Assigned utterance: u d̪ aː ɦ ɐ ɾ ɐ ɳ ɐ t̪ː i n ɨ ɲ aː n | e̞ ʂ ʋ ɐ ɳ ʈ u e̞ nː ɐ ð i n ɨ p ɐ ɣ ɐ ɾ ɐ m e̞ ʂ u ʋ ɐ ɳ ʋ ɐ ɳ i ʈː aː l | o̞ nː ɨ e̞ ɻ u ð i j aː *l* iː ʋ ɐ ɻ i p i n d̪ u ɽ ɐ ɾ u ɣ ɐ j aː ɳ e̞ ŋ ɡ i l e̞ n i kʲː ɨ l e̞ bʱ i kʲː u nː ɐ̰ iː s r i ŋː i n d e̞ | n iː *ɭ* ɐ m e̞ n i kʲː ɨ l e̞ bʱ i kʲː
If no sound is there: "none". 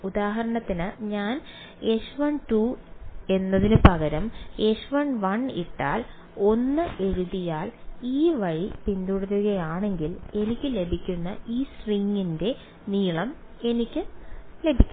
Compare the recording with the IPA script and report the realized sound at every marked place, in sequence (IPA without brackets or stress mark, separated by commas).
l, ɭ